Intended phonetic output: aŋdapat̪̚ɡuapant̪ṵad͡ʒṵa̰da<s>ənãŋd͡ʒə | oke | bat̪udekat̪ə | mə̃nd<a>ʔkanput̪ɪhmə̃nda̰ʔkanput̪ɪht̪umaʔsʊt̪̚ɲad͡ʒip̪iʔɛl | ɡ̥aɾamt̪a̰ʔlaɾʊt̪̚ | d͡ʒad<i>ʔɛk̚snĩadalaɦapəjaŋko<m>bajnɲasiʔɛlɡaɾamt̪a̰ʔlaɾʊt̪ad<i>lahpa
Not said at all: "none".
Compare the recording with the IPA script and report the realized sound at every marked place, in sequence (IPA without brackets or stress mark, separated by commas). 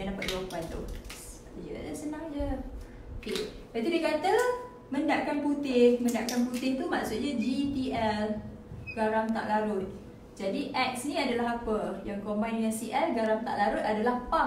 s, a, i, m, a